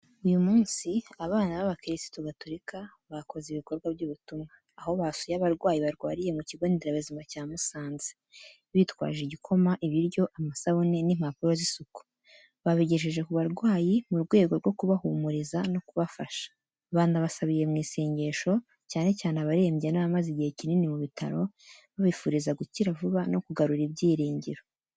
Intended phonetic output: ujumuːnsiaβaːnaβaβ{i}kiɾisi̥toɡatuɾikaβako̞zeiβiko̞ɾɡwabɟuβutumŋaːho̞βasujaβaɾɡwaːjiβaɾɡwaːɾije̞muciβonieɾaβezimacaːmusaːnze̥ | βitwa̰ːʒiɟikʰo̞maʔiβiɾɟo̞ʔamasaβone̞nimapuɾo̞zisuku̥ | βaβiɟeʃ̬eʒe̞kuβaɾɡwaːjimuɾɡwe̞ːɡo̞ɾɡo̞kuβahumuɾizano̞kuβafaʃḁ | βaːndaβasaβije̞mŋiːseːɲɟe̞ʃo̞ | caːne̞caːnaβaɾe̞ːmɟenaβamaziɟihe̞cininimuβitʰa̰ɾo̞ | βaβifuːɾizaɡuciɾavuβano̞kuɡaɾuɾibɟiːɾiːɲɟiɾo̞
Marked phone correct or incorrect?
incorrect